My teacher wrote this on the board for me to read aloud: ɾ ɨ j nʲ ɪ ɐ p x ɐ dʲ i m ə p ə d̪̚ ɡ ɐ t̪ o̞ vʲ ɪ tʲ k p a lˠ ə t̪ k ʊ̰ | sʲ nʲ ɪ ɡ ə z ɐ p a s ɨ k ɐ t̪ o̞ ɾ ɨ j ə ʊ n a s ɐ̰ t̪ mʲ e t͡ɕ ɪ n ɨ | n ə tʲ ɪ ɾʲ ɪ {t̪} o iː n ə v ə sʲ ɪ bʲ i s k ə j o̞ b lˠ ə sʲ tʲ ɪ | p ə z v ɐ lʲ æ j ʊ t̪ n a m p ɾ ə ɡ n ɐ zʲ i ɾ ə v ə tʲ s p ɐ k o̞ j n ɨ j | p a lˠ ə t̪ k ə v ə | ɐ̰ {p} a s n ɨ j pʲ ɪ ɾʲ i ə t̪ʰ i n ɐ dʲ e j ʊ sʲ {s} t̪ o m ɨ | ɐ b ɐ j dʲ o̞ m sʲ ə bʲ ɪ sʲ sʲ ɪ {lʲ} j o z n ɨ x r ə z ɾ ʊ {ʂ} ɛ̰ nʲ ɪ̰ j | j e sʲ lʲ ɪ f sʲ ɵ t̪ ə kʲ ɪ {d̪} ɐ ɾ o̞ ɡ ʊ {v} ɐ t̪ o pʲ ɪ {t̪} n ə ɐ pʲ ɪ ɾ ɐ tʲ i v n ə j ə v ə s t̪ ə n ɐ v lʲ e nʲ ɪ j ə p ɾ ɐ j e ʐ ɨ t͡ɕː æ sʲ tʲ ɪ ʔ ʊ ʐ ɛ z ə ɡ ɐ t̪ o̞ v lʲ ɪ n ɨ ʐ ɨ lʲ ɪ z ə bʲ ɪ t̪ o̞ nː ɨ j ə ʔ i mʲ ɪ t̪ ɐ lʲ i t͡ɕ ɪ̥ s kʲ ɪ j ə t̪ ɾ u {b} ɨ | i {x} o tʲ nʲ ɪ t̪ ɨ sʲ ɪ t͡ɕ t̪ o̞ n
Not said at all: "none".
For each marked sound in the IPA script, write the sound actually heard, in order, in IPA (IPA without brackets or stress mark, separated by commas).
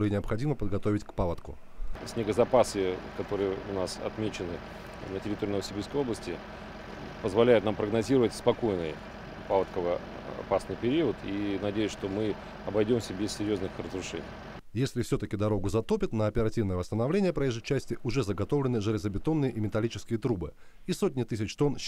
t̪, p, ʂ, ɾʲ, ʂ, d̪, z, t̪, b, s